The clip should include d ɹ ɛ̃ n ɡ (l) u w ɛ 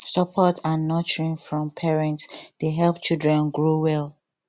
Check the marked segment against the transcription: incorrect: ɹ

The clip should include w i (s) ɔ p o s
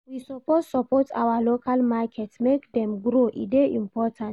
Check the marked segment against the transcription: correct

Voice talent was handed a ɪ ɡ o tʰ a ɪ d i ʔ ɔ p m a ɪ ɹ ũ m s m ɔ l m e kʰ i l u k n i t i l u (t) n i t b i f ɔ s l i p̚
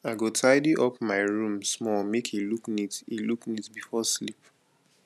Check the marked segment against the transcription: incorrect: k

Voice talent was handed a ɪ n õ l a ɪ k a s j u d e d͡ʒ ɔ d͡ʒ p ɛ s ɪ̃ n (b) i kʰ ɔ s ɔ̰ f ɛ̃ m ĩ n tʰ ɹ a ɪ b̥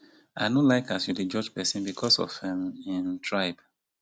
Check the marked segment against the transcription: correct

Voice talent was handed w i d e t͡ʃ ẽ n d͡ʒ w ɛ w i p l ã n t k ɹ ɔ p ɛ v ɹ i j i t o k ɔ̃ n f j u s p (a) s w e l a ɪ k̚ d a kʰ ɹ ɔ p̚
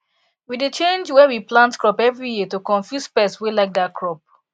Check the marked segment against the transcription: incorrect: ɛ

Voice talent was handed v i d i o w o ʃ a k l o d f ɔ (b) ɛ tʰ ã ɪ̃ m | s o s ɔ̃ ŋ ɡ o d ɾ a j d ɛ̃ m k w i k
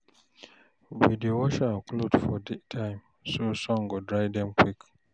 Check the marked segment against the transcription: incorrect: d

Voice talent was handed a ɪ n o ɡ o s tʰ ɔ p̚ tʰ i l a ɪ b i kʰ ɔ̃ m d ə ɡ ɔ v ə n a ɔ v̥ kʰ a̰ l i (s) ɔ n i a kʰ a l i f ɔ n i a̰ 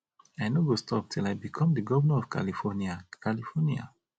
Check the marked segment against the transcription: incorrect: f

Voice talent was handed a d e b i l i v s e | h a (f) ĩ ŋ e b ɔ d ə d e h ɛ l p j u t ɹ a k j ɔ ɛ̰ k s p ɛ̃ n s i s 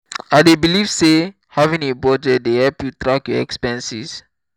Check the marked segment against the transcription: incorrect: v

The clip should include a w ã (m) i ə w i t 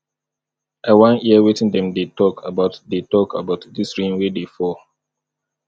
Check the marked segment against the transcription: incorrect: n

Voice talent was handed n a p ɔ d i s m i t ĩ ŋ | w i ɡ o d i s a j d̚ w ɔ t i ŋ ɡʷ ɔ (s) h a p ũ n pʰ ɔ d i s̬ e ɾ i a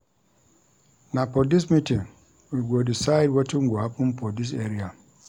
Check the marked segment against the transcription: incorrect: none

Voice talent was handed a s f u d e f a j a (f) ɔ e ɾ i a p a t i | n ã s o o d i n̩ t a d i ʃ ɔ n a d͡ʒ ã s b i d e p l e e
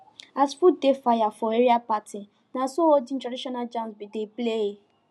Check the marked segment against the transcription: correct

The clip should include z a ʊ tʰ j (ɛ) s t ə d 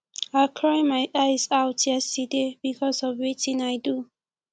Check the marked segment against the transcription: correct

